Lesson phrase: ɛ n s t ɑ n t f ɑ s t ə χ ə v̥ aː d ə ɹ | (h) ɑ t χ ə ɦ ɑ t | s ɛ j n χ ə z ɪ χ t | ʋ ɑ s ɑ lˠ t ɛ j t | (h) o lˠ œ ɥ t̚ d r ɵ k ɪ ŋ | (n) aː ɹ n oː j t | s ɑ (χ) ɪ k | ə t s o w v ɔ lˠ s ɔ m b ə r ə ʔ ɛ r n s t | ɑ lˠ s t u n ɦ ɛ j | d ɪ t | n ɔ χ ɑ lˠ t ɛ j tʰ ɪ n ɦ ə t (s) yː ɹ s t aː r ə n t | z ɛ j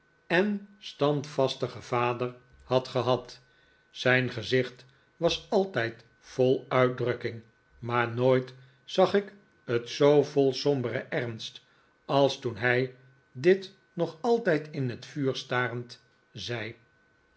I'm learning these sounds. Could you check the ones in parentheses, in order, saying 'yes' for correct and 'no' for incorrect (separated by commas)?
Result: yes, no, no, yes, no